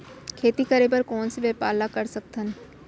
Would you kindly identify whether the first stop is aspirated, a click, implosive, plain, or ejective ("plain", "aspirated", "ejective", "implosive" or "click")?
aspirated